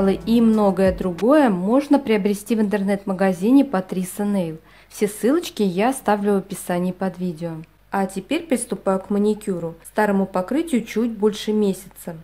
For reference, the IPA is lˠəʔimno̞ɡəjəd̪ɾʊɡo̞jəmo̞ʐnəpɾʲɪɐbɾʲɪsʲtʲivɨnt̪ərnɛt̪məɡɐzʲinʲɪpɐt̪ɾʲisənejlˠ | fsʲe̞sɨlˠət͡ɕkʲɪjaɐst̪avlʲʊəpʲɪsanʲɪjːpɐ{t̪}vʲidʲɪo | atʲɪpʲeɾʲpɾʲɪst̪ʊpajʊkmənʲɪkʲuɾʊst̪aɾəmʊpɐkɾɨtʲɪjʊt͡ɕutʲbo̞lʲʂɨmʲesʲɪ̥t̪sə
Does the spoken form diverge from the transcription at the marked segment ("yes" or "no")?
yes